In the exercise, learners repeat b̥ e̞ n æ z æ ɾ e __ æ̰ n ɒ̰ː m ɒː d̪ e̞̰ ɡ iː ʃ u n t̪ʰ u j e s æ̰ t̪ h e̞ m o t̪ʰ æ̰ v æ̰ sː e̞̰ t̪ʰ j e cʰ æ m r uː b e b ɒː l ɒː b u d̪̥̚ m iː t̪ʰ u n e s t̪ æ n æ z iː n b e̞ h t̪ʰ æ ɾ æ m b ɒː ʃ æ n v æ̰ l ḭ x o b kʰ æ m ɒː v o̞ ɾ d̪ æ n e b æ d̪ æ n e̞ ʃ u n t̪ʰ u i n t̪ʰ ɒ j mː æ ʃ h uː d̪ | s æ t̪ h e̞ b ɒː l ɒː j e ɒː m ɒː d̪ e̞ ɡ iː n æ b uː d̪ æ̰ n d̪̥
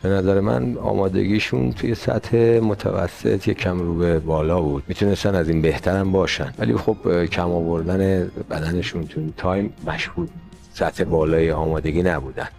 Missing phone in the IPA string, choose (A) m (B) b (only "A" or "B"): A